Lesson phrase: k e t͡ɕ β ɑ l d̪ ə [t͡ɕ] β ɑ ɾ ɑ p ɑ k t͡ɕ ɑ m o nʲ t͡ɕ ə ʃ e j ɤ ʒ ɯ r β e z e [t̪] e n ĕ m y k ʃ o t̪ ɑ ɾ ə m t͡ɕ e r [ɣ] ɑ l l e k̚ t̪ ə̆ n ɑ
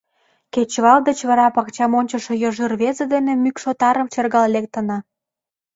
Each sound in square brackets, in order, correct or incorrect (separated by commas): correct, incorrect, correct